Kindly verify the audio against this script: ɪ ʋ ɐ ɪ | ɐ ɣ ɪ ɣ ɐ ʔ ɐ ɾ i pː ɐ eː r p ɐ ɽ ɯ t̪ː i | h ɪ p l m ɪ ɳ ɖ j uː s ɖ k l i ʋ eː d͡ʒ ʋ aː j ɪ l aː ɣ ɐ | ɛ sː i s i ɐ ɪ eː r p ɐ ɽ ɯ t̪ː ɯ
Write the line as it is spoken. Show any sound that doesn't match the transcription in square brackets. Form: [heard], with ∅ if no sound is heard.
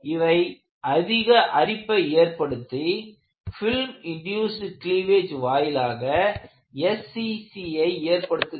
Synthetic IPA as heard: ɪ ʋ ɐ ɪ | ɐ [ð] ɪ ɣ ɐ ʔ ɐ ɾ [ɪ] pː ɐ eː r p ɐ ɽ ɯ t̪ː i | [f] ɪ [∅] l m ɪ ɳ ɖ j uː s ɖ k l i ʋ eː d͡ʒ ʋ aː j ɪ l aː ɣ ɐ | ɛ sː i s i ɐ ɪ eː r p ɐ ɽ ɯ t̪ː ɯ